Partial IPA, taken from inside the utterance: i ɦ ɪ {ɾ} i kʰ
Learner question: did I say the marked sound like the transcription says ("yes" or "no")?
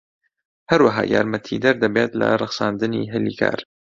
no